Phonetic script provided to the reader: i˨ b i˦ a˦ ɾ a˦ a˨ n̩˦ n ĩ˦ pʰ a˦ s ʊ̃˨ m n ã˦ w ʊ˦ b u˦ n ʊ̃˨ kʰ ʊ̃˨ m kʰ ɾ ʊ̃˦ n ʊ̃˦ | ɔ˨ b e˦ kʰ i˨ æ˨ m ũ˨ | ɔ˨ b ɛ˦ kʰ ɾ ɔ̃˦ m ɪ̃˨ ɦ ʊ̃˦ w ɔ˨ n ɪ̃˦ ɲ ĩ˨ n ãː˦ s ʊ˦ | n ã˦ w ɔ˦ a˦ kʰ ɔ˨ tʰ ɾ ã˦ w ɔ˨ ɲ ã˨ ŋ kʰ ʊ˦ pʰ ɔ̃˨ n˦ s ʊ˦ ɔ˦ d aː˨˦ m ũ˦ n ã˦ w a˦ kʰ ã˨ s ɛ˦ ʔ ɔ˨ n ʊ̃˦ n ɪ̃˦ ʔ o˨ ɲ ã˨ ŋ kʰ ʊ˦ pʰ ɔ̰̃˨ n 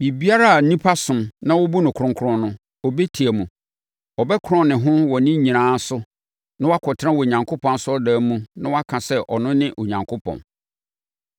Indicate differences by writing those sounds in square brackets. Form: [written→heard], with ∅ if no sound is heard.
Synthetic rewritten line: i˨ b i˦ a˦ ɾ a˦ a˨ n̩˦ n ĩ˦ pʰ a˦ s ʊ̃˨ m n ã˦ w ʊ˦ b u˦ n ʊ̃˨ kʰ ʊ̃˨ [m→ŋ] kʰ ɾ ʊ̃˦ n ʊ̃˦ | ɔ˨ b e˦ [kʰ→tʰ] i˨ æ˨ m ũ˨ | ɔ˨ b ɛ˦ kʰ ɾ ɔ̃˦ [m→n] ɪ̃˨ ɦ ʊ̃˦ w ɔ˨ n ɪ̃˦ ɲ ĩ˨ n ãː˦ s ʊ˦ | n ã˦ w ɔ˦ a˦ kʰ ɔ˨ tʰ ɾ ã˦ w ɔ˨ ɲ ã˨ ŋ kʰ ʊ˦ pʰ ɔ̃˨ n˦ s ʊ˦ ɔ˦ d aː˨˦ m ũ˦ n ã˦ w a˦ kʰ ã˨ s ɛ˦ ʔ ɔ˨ n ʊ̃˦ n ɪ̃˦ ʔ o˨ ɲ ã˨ ŋ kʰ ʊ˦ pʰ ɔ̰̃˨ n